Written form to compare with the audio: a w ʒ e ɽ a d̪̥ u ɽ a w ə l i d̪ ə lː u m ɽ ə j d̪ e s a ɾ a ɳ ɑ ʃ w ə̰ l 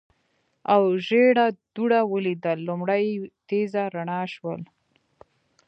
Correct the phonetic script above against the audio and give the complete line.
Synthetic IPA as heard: a w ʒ e ɽ a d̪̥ u ɽ a w ə l i d̪ ə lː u m ɽ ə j t̪ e z a ɾ a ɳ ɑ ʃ w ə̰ l